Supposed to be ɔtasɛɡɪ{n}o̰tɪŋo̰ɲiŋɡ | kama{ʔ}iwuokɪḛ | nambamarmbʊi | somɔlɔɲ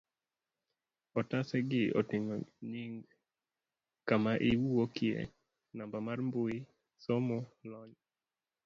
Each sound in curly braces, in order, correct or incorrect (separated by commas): incorrect, correct